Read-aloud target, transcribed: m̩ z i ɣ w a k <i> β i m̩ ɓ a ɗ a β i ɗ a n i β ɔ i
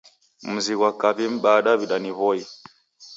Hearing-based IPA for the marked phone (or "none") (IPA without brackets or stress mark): a